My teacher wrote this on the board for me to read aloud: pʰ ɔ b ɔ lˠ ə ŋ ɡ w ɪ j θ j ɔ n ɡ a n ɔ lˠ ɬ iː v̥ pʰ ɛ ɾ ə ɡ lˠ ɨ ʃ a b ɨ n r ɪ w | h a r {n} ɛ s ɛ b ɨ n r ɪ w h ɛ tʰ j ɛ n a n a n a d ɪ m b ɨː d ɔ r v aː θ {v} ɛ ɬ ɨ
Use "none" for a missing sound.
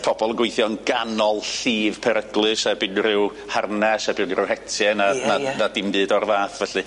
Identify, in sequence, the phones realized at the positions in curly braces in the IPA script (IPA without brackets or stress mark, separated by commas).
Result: n, v